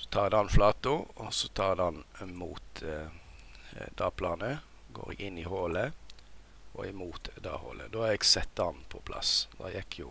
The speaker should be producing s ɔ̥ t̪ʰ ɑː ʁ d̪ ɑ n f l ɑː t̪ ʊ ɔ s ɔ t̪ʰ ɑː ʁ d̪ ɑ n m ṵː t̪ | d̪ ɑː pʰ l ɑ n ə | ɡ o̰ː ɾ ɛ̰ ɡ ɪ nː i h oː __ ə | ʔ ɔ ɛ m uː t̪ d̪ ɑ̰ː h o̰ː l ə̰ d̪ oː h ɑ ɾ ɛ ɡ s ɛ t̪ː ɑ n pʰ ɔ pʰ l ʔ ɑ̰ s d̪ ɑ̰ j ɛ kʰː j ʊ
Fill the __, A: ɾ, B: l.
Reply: B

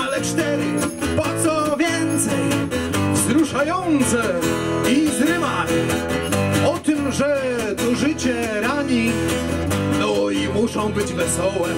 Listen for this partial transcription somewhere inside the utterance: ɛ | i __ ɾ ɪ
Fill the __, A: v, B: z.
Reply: B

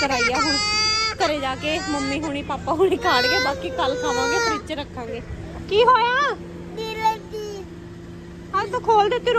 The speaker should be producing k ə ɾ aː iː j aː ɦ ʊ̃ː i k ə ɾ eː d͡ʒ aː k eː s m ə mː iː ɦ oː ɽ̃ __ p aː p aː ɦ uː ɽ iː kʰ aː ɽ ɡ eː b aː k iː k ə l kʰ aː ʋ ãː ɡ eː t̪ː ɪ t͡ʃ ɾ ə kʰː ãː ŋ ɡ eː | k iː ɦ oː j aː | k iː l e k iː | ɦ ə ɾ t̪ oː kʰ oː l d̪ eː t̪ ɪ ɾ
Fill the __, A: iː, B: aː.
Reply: A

